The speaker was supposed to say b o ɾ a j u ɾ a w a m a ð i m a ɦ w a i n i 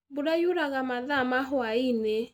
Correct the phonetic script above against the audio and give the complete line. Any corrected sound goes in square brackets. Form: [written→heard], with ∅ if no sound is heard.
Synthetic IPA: b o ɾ a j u ɾ a [w→ɣ] a m a ð [i→a] m a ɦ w a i n [i→e]